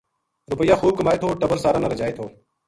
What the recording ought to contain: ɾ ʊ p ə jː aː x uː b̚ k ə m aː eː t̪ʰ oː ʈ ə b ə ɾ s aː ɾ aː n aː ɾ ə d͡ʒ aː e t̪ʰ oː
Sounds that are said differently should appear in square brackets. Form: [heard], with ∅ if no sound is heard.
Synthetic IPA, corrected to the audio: ɾ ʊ p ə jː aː x uː b̚ k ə m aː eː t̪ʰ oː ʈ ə b ə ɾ s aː ɾ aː n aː ɾ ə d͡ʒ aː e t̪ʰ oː